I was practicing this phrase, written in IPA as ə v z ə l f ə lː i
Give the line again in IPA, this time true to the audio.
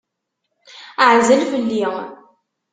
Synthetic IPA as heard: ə ʕ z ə l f ə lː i